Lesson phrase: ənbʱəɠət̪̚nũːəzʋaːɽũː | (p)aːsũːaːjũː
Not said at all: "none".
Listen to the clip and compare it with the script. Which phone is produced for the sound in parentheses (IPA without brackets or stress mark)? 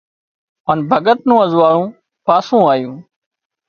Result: p